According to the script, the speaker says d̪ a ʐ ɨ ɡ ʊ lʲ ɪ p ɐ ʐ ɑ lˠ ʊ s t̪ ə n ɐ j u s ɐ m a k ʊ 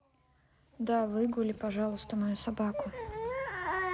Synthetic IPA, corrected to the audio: d̪ a v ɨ ɡ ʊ lʲ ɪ p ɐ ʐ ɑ lˠ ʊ s t̪ ə m ɐ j u s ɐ b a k ʊ